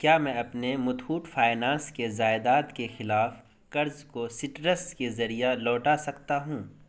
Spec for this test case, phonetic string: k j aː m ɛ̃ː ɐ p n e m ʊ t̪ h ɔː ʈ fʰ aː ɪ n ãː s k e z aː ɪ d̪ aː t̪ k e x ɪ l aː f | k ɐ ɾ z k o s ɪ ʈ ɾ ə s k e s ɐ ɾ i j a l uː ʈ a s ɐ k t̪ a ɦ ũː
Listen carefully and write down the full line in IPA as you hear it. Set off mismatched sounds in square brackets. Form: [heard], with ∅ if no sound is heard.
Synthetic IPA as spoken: k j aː m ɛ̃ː ɐ p n e m ʊ t̪ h [uː] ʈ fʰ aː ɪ n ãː s k e z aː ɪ d̪ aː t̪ k e x ɪ l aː f | k ɐ ɾ z k o s ɪ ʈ ɾ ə s k e [z] ɐ ɾ i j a l [ɔː] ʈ a s ɐ k t̪ a ɦ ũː